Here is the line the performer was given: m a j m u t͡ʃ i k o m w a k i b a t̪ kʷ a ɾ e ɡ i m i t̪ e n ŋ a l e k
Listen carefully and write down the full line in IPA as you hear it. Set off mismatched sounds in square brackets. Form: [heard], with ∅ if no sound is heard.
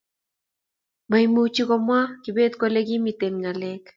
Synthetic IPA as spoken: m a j m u t͡ʃ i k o m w a k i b [e] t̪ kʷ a [l] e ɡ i m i t̪ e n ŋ a l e k